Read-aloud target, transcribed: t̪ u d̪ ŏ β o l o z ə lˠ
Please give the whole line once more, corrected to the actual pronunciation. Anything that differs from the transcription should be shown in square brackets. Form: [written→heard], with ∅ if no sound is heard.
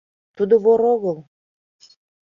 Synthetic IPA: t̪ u d̪ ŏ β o [l→ɾ] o [z→ɣ] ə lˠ